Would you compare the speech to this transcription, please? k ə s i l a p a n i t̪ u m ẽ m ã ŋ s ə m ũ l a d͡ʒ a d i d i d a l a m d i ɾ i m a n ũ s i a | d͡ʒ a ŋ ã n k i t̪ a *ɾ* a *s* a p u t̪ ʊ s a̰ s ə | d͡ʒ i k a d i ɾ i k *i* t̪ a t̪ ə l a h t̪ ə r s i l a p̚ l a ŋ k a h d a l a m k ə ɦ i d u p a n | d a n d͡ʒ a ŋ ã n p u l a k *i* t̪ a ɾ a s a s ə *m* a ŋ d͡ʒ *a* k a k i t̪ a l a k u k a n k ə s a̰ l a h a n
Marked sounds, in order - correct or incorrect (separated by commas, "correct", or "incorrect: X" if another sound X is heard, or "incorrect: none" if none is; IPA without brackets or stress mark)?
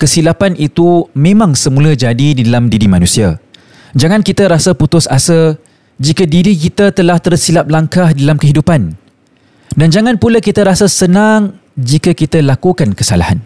correct, correct, correct, correct, incorrect: n, incorrect: i